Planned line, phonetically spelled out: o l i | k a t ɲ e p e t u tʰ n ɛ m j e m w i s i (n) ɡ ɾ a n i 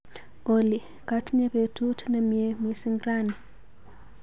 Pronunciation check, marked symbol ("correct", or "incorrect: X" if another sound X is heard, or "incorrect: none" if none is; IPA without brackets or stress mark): incorrect: ŋ